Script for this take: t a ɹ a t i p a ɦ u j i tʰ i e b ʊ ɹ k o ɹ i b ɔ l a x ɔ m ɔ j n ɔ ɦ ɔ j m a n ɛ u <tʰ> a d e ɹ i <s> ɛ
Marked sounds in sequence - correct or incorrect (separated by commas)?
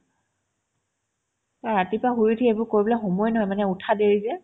correct, incorrect